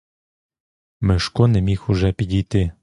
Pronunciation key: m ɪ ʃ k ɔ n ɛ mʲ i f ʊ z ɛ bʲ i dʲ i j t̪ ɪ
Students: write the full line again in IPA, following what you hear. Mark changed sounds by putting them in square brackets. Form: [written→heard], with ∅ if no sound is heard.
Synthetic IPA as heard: m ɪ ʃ k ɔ n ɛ mʲ i [f→x] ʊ [z→ʒ] ɛ [bʲ→pʲ] i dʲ i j t̪ ɪ